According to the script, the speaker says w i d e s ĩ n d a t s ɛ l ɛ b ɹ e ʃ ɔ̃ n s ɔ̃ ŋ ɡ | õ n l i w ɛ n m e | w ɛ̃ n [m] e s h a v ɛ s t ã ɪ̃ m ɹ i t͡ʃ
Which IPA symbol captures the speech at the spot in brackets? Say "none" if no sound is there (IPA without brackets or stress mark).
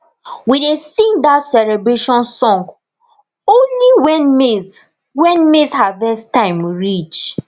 m